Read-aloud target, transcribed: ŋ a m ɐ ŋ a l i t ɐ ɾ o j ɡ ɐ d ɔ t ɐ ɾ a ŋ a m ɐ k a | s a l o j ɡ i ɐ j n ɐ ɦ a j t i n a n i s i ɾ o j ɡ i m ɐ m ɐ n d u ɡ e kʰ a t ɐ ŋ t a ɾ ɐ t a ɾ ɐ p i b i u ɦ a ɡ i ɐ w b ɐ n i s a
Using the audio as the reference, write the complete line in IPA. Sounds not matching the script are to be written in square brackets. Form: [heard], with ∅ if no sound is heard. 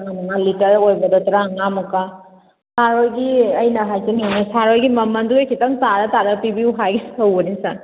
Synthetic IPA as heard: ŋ a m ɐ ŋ a l i t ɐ ɾ o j [b] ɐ d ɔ t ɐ ɾ a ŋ a m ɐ k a | s a [ɾ] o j ɡ i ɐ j n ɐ ɦ a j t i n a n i s [a] ɾ o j ɡ i m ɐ m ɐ n d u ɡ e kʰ [i] t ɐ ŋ t a ɾ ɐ t a ɾ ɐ p i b i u ɦ a ɡ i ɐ w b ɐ n i s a